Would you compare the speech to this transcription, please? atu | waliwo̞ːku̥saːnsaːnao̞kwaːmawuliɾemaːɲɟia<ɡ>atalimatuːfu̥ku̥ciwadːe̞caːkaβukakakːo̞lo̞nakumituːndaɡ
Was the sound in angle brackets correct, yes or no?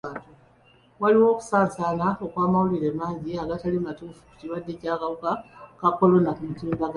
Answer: yes